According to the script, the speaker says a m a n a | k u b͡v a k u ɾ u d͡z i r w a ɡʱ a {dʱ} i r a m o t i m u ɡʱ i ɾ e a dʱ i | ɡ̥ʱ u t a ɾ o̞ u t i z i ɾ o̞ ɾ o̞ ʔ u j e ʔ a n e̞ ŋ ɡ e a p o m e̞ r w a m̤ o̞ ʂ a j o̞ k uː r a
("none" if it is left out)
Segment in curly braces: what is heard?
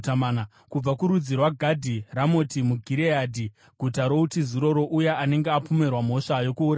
dʱ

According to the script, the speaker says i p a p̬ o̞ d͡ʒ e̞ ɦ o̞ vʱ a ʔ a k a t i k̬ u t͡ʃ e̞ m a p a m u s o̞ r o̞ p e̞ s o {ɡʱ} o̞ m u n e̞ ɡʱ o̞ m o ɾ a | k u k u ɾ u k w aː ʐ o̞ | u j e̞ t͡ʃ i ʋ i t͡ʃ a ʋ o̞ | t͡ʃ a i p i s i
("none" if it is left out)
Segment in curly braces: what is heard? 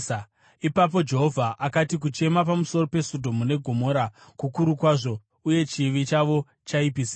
dʱ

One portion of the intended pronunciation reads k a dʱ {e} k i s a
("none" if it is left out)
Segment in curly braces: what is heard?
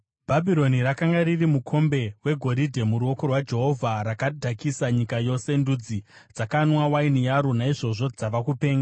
a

